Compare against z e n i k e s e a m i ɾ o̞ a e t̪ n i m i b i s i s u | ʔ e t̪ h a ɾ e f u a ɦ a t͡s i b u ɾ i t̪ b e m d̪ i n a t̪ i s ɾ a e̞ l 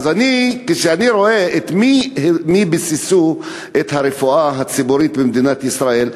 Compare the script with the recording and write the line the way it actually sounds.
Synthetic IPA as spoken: z a n i k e ʃ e a n i ɾ o̞ e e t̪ m i m i b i s i s u | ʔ e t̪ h a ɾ e f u a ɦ a t͡s i b u ɾ i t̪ b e m d̪ i n a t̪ i s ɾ a e̞ l